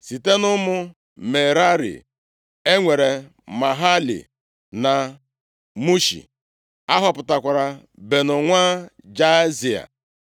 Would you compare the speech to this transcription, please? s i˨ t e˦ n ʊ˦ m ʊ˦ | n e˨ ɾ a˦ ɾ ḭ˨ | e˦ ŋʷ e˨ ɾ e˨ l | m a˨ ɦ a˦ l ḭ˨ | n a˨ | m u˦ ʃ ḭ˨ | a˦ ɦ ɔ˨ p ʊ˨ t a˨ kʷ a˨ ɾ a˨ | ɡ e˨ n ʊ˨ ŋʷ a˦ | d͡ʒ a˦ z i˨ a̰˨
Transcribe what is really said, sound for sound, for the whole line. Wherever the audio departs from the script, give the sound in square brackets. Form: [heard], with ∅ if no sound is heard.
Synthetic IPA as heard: s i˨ t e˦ n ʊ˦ m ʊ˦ | [m] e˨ ɾ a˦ ɾ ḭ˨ | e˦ ŋʷ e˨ ɾ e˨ [∅] | m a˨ ɦ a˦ l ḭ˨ | n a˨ | m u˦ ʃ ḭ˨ | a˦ ɦ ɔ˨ p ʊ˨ t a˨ kʷ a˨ ɾ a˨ | [b] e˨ n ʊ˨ ŋʷ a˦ | d͡ʒ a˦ z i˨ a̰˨

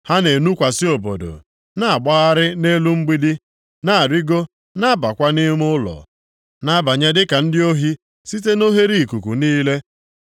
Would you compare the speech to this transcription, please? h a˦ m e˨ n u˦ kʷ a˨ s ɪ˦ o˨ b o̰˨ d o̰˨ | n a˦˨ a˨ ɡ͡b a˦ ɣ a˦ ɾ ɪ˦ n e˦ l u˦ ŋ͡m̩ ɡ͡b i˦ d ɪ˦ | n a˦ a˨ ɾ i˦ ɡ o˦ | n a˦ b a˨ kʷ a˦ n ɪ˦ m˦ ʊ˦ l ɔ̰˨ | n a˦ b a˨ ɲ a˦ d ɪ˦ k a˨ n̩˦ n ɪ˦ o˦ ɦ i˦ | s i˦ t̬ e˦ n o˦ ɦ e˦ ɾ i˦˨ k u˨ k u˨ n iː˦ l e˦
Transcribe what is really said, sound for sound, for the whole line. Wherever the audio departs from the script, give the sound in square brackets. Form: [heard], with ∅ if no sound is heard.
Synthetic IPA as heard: h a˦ [n] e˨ n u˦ kʷ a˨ s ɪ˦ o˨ b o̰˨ d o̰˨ | n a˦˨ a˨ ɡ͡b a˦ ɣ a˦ ɾ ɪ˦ n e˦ l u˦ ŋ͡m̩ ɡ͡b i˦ d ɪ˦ | n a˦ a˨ ɾ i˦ ɡ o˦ | n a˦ b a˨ kʷ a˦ n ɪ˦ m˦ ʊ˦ l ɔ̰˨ | n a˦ b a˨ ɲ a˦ d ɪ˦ k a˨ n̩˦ [d] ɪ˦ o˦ ɦ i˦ | s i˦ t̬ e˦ n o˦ ɦ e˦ ɾ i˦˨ k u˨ k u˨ n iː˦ l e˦

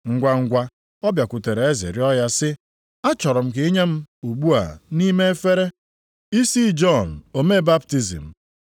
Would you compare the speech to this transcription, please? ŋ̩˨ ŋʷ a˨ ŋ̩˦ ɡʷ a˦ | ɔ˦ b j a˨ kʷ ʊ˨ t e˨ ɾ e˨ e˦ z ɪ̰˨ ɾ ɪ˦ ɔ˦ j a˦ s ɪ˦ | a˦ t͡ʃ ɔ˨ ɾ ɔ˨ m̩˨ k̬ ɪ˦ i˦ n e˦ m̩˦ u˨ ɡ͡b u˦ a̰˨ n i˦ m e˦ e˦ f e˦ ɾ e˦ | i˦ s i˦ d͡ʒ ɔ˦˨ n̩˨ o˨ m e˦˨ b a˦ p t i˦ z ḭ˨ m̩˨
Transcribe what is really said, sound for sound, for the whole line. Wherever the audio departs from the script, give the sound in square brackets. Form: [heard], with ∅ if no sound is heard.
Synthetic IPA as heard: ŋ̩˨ [ɡʷ] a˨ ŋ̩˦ ɡʷ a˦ | ɔ˦ b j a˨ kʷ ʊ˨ t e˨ ɾ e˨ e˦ z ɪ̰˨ ɾ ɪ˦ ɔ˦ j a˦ s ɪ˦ | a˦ t͡ʃ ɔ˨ ɾ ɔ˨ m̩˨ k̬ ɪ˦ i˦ [ɲ] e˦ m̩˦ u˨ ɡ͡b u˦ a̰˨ n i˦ m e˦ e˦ f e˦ ɾ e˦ | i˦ s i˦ d͡ʒ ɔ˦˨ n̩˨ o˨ m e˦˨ b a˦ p t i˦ z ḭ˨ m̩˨

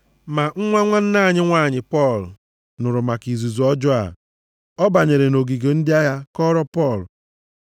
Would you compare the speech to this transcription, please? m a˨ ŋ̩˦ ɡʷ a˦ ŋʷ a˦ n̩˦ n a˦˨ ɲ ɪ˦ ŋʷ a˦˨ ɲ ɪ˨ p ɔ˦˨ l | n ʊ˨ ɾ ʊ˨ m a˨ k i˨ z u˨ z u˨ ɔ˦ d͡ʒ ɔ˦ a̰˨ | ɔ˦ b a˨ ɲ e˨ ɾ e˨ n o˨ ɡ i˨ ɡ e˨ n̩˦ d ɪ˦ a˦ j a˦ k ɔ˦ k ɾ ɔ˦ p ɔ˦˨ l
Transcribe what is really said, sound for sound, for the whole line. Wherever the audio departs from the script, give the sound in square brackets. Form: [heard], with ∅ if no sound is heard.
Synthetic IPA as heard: m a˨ ŋ̩˦ [ŋʷ] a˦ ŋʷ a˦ n̩˦ n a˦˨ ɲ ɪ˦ ŋʷ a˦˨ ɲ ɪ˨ p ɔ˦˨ l | n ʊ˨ ɾ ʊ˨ m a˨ k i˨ z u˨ z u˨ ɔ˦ d͡ʒ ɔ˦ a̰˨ | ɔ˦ b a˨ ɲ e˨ ɾ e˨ n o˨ ɡ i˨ ɡ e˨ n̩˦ d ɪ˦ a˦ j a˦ k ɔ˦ [∅] ɾ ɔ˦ p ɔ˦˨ l

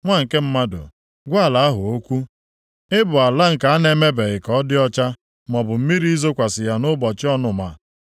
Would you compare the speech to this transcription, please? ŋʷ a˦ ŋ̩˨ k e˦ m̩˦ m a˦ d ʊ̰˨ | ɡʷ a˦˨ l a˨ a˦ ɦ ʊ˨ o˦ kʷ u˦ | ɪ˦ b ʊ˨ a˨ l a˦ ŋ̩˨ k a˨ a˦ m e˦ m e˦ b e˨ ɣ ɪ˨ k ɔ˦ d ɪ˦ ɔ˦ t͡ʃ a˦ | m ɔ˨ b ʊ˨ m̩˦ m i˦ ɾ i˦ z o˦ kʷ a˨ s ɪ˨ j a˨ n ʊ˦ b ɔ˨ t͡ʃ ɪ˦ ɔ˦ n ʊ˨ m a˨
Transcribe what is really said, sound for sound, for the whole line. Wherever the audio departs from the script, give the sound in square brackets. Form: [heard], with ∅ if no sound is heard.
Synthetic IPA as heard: ŋʷ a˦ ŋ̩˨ k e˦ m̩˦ m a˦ d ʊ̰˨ | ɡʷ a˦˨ l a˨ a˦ ɦ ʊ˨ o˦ kʷ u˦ | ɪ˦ b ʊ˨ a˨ l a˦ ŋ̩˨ k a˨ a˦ [n] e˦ m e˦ b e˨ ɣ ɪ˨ k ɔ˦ d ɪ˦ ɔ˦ t͡ʃ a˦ | m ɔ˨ b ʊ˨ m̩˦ m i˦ ɾ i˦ z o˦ kʷ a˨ s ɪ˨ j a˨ n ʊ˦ b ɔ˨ t͡ʃ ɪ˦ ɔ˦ n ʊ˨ m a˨

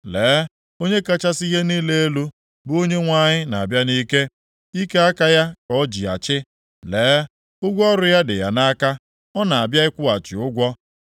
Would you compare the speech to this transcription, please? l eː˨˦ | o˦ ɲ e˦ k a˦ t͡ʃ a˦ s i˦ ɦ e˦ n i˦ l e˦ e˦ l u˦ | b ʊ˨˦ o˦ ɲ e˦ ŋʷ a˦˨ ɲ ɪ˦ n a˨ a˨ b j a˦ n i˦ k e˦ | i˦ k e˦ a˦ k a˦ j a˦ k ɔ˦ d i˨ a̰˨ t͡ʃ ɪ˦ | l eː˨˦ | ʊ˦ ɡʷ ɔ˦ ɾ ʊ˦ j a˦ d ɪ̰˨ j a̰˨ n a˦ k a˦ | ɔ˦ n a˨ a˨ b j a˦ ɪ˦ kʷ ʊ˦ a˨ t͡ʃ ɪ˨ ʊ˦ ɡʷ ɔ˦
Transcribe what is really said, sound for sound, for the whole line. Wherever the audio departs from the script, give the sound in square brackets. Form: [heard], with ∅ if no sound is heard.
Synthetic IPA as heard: l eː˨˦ | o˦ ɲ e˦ k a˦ t͡ʃ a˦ s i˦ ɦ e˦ n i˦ l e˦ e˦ l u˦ | b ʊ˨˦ o˦ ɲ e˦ ŋʷ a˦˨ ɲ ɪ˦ n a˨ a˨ b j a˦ n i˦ k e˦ | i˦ k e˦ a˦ k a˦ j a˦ k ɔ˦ [d͡ʒ] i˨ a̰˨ t͡ʃ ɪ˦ | l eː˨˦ | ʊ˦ ɡʷ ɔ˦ ɾ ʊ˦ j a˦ d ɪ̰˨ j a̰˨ n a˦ k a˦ | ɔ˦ n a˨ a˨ b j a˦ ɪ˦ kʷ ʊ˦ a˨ t͡ʃ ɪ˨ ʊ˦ ɡʷ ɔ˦

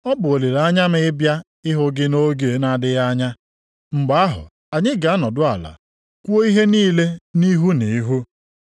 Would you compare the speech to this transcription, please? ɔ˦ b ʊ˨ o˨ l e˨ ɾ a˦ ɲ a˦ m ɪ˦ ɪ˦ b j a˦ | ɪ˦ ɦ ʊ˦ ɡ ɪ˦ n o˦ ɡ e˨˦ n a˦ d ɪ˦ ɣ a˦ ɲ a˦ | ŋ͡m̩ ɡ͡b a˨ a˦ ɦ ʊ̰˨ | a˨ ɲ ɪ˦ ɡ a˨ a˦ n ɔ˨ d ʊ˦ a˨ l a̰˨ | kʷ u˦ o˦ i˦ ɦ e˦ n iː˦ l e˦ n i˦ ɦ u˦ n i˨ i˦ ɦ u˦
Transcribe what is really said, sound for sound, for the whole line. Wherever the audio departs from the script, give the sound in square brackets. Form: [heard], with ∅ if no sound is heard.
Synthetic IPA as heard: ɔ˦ b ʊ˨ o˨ l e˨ ɾ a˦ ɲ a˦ m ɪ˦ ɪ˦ b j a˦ | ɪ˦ ɦ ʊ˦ ɡ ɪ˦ n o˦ ɡ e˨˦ n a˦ d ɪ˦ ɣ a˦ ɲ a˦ | ŋ͡m̩ ɡ͡b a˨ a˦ ɦ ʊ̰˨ | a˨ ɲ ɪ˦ ɡ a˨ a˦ n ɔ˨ d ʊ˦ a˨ l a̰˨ | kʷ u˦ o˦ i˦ ɦ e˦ n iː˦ l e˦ n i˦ ɦ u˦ n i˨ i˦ ɦ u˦

